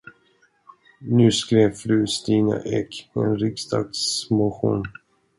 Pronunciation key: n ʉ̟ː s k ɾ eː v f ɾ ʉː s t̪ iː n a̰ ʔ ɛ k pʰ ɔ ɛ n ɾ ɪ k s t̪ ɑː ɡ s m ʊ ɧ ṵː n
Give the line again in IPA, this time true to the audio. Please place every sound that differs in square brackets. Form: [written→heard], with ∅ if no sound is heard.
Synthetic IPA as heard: n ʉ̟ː s k ɾ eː v f ɾ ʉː s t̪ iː n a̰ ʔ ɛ k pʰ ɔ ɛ n ɾ ɪ k s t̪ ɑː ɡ s m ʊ ɧ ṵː n